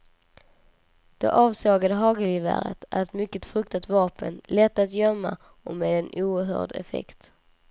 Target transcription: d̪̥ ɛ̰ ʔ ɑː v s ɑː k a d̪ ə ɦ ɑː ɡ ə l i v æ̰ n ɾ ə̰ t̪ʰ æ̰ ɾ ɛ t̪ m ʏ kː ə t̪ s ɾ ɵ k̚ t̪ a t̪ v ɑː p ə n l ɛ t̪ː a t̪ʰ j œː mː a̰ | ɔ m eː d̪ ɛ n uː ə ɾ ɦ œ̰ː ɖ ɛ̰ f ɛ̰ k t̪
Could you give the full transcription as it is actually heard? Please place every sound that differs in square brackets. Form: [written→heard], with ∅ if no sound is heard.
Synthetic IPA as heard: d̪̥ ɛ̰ ʔ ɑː v s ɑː [k→ɡ] a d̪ ə ɦ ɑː ɡ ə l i v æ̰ [n→∅] ɾ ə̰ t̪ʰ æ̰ ɾ ɛ t̪ m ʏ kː ə t̪ [s→f] ɾ ɵ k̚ t̪ a t̪ v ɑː p ə n l ɛ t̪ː a [t̪ʰ→t̪] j [œː→œ] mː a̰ | ɔ m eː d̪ ɛ n uː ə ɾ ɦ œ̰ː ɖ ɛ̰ f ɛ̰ k t̪